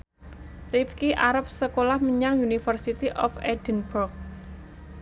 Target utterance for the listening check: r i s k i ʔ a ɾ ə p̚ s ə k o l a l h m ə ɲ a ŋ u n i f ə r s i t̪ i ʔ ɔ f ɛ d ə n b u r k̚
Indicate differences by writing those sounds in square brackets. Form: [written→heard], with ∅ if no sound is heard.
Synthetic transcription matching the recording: r i [s→f] k i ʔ a ɾ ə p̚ s ə k o l a [l→∅] h m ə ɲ a ŋ u n i f ə r s i t̪ i ʔ ɔ f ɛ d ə n b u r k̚